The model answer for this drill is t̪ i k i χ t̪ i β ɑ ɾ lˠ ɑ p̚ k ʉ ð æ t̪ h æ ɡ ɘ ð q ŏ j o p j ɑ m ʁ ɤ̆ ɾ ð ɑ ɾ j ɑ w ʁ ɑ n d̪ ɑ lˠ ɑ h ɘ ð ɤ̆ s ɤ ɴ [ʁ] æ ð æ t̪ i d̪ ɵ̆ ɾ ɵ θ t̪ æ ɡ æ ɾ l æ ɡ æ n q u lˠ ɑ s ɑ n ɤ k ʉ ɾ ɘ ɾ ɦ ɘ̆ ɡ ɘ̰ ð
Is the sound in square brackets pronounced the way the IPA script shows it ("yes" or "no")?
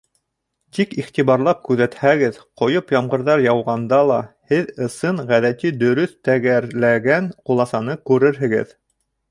yes